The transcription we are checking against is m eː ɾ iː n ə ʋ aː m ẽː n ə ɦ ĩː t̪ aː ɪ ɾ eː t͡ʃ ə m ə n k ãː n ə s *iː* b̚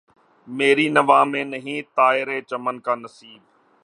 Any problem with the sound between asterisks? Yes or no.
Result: no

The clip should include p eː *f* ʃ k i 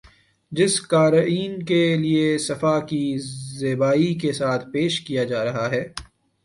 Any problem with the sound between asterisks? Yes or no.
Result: yes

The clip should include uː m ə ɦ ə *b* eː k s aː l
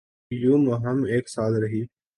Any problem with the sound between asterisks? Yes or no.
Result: yes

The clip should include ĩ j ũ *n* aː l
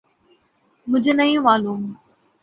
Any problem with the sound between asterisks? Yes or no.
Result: yes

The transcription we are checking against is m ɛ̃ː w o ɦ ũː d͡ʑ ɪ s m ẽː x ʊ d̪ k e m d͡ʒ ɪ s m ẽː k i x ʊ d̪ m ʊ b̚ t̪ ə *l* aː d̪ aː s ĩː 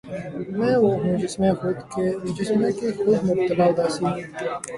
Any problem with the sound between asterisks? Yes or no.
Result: no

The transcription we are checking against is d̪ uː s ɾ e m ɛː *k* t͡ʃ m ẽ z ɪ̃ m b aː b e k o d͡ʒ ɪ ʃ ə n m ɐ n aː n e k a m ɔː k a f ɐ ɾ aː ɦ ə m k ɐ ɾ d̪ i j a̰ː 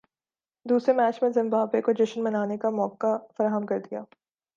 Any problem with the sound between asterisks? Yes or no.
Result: yes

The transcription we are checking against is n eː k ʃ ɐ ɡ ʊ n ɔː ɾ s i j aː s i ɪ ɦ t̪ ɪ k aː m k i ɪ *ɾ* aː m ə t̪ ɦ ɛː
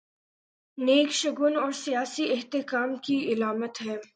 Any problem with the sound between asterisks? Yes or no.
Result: yes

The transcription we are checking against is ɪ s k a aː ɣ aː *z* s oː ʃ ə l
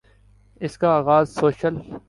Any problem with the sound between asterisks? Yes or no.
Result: no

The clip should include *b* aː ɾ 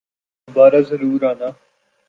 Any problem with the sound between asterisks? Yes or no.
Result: no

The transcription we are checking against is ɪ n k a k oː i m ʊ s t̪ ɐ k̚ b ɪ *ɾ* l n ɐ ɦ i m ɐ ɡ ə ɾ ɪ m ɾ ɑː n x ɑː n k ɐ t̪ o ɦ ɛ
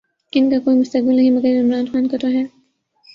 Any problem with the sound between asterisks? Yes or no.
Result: yes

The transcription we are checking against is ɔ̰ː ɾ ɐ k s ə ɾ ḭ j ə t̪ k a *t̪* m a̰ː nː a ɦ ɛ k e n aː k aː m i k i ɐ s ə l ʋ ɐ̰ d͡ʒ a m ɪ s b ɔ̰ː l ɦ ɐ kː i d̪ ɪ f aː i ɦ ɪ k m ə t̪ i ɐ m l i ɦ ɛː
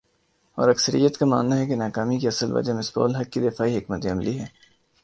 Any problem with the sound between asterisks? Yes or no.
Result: yes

